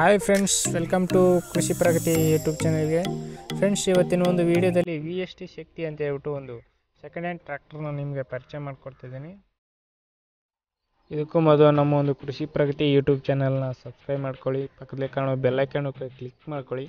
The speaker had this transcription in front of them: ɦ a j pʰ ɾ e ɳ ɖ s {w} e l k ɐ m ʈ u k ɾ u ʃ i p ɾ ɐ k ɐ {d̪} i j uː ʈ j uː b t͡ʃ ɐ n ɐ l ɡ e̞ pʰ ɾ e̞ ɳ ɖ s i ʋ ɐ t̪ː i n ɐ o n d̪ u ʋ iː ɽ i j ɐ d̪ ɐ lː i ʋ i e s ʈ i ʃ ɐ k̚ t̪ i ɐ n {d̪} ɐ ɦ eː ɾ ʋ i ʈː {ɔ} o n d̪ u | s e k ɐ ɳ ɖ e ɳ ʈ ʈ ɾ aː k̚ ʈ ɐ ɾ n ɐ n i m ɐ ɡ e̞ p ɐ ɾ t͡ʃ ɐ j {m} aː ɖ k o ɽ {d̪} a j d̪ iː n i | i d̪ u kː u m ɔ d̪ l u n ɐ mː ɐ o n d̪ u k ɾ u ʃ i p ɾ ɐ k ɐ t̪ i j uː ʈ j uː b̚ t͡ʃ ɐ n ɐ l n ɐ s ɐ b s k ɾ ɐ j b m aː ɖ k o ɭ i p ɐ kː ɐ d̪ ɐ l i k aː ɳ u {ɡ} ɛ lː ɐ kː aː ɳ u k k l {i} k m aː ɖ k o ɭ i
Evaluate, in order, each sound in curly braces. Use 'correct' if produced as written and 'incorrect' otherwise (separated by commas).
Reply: incorrect, incorrect, incorrect, incorrect, correct, incorrect, incorrect, correct